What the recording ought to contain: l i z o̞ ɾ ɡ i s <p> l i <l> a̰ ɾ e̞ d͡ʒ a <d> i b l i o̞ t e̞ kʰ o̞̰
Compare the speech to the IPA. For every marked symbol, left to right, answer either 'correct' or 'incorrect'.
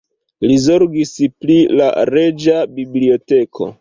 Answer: correct, correct, incorrect

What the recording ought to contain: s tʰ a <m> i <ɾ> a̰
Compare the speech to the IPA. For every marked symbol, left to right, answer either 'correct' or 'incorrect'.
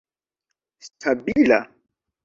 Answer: incorrect, incorrect

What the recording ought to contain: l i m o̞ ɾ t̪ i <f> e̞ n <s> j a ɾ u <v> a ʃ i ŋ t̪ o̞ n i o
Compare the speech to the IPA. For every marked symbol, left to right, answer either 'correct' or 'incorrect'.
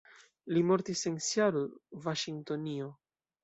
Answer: incorrect, correct, correct

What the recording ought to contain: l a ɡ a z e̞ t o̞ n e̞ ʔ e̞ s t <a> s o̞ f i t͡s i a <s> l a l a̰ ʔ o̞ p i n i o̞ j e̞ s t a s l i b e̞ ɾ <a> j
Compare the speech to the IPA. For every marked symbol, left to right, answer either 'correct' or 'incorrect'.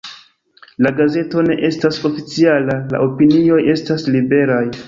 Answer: correct, incorrect, correct

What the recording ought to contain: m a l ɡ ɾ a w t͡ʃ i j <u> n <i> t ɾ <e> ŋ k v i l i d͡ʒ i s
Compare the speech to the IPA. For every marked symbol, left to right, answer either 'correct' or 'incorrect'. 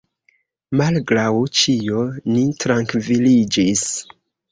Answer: incorrect, correct, incorrect

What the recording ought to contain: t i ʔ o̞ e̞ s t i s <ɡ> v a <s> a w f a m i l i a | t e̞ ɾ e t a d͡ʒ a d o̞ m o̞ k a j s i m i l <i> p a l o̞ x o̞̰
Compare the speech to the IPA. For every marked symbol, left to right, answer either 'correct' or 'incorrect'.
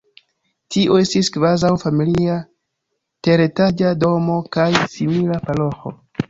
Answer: incorrect, incorrect, incorrect

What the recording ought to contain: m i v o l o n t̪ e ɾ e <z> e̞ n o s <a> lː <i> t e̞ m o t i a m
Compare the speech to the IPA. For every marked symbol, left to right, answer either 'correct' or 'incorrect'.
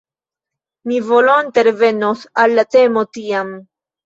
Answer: incorrect, correct, incorrect

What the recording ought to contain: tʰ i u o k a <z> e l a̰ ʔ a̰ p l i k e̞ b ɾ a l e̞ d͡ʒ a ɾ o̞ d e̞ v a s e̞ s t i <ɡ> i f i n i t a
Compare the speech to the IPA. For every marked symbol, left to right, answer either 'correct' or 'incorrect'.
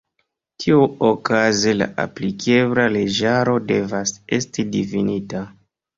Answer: correct, incorrect

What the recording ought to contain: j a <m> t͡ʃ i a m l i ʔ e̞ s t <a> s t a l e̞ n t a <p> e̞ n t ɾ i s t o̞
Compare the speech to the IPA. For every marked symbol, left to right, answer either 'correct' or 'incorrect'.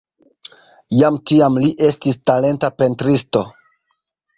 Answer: correct, incorrect, correct

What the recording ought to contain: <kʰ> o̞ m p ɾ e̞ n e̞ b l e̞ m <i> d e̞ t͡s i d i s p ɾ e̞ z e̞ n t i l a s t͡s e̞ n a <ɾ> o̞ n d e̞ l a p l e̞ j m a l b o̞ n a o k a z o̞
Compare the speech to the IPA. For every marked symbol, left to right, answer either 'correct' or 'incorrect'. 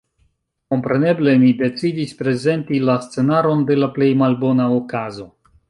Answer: incorrect, correct, correct

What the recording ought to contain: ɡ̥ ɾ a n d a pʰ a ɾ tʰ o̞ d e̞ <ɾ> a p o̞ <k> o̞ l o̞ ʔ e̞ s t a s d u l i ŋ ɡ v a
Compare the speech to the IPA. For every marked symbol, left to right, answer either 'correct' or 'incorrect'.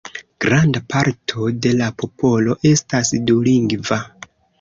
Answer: incorrect, incorrect

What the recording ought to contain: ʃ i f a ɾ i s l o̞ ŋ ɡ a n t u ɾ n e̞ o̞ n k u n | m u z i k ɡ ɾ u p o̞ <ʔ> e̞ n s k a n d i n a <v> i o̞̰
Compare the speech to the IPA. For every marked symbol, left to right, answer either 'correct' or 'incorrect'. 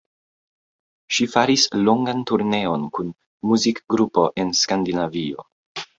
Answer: correct, correct

